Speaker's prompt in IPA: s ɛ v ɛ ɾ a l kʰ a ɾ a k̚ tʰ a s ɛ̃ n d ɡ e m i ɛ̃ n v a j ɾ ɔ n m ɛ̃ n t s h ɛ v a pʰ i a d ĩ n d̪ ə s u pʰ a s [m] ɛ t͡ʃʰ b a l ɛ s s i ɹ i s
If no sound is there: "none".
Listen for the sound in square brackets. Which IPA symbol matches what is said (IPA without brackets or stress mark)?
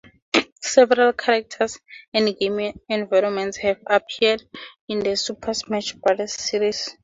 m